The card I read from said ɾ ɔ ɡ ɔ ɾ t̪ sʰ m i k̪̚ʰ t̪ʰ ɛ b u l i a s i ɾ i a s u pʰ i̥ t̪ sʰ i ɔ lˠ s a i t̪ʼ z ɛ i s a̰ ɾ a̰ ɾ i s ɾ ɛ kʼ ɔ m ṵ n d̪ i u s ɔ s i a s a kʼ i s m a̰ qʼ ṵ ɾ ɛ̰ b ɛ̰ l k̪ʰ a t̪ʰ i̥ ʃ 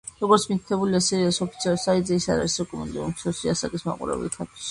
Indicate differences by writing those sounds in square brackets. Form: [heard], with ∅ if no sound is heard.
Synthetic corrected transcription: ɾ ɔ ɡ ɔ ɾ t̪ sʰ m i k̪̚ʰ t̪ʰ ɛ b u l i a s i ɾ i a s [ɔ] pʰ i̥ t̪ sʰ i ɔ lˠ s a i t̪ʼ z ɛ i s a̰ ɾ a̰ ɾ i s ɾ ɛ kʼ ɔ m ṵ n d̪ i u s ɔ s i a s a kʼ i s m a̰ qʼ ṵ ɾ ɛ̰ b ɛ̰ l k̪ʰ a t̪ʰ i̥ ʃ

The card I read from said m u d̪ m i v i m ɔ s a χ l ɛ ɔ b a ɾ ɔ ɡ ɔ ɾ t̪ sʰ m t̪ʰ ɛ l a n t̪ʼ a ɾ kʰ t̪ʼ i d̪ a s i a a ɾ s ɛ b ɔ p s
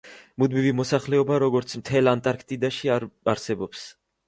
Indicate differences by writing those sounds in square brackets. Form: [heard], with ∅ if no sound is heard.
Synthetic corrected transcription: m u d̪ m i v i m ɔ s a χ l ɛ ɔ b a ɾ ɔ ɡ ɔ ɾ t̪ sʰ m t̪ʰ ɛ l a n t̪ʼ a ɾ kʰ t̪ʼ i d̪ a [ʃ] i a a ɾ s ɛ b ɔ p s

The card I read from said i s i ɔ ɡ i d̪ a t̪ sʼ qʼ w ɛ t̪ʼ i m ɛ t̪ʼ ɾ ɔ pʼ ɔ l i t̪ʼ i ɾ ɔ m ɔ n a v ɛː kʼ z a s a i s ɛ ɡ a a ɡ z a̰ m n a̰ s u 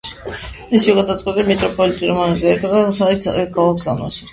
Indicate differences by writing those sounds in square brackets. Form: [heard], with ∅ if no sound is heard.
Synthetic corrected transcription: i s i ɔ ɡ [a] d̪ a t̪ sʼ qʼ w ɛ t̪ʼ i m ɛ t̪ʼ ɾ ɔ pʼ ɔ l i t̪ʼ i ɾ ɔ m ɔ n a [z] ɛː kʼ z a s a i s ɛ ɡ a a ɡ z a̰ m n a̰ s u

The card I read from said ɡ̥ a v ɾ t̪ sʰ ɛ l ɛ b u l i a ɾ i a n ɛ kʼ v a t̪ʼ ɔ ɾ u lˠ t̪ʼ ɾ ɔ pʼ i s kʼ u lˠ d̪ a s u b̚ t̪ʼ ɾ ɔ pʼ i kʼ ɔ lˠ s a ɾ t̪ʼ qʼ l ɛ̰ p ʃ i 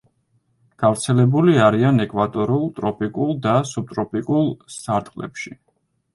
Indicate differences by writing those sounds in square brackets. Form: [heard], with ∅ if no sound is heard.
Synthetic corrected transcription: ɡ̥ a v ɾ t̪ sʰ ɛ l ɛ b u l i a ɾ i a n ɛ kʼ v a t̪ʼ ɔ ɾ u lˠ t̪ʼ ɾ ɔ pʼ i [∅] kʼ u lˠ d̪ a s u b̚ t̪ʼ ɾ ɔ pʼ i kʼ [u] lˠ s a ɾ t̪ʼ qʼ l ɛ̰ p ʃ i

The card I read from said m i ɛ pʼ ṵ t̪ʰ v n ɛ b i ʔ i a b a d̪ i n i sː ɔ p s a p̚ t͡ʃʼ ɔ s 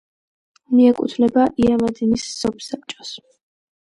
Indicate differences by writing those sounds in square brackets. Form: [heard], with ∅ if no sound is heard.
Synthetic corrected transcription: m i ɛ [kʼ] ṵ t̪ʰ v n ɛ b [a] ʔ i a [m] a d̪ i n i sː ɔ p s a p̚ t͡ʃʼ ɔ s

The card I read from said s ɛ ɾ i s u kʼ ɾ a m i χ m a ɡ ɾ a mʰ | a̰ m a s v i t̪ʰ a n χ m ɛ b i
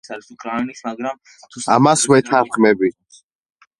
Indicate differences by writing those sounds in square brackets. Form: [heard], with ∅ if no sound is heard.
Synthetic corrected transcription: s [a] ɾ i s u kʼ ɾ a [n] i [s] m a ɡ ɾ a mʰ | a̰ m a s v [ɛ] t̪ʰ a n χ m ɛ b i

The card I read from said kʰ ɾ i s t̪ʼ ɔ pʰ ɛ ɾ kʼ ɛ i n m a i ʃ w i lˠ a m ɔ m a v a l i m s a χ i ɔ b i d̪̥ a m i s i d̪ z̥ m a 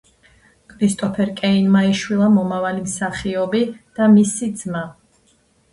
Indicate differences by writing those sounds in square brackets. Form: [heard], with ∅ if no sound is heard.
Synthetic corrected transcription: kʰ ɾ i s t̪ʼ ɔ pʰ ɛ ɾ kʼ ɛ i n m a i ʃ w i lˠ a m ɔ m a v a l i m s a χ i ɔ b i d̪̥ a m i s i d̪ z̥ m a

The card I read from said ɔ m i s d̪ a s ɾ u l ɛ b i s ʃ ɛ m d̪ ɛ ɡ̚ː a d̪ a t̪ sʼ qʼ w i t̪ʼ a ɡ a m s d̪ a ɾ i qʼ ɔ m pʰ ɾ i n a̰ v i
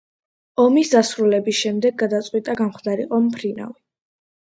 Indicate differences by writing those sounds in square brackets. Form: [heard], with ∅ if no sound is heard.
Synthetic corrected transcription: ɔ m i s d̪ a s ɾ u l ɛ b i s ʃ ɛ m d̪ ɛ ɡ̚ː a d̪ a t̪ sʼ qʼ w i t̪ʼ a ɡ a m [χ] d̪ a ɾ i qʼ ɔ m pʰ ɾ i n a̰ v i

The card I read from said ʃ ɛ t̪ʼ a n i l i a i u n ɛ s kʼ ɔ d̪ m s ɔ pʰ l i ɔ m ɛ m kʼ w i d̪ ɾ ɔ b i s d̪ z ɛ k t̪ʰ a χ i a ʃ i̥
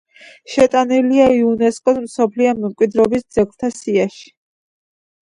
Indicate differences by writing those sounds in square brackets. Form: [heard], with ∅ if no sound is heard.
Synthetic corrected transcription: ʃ ɛ t̪ʼ a n i l i a i u n ɛ s kʼ ɔ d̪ m s ɔ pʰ l i ɔ m ɛ m kʼ w i d̪ ɾ ɔ b i s d̪ z ɛ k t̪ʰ a [s] i a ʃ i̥

